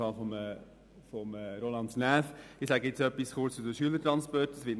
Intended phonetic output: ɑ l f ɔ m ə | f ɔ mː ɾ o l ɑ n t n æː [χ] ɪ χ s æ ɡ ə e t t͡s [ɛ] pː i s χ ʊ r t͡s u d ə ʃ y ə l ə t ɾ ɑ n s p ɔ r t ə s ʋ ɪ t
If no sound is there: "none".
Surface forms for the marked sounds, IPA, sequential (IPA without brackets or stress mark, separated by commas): f, œ